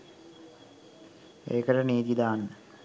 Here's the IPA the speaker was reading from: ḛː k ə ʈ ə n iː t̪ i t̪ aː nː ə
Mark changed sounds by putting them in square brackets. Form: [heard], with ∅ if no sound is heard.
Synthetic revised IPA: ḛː k ə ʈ ə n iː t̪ i [d̪] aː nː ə